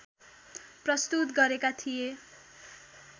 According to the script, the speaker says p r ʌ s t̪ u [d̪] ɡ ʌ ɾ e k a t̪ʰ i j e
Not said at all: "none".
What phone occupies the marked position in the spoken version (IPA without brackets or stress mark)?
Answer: t̪